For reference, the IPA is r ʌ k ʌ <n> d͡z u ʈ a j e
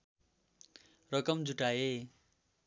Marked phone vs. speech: incorrect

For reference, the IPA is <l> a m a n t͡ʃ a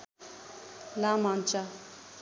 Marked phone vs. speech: correct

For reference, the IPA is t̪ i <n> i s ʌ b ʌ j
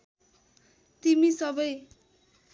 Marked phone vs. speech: incorrect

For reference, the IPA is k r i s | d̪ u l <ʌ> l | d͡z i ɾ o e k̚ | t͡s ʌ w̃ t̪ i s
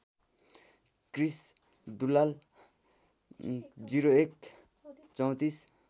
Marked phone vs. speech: incorrect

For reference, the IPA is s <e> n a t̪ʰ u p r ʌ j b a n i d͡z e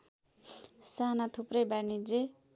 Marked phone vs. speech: incorrect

